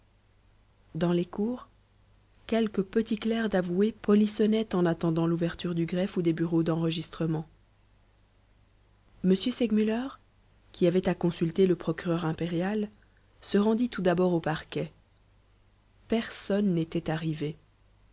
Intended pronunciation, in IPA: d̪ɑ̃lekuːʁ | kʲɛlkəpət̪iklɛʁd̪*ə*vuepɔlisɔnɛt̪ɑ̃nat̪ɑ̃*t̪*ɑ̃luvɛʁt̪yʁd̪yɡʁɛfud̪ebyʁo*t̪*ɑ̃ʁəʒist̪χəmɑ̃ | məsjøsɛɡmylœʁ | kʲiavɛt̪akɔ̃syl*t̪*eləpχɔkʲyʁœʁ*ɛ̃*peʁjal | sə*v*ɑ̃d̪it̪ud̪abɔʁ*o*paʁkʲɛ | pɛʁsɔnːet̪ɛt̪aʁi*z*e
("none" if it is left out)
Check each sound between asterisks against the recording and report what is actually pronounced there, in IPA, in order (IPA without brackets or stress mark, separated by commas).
a, d̪, d̪, t̪, ɛ̃, ʁ, o, v